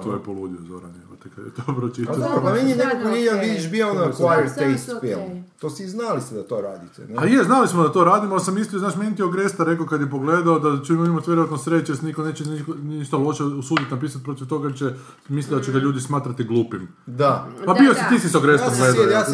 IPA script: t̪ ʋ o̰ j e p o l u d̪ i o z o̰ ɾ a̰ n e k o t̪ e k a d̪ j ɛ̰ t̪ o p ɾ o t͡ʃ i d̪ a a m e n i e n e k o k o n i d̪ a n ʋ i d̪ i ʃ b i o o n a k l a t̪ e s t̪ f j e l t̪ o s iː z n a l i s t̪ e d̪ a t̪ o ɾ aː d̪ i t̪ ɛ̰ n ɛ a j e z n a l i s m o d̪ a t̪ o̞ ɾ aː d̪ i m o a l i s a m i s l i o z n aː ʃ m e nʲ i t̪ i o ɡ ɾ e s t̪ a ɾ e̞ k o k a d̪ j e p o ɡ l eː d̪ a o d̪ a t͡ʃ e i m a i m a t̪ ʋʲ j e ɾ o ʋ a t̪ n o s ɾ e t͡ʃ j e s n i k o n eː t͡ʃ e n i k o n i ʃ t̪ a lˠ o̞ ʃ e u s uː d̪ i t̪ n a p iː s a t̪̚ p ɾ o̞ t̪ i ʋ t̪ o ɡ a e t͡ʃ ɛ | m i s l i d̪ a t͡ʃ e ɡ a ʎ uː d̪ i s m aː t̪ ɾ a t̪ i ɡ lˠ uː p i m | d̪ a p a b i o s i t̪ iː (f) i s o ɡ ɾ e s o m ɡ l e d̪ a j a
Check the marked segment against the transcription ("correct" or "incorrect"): incorrect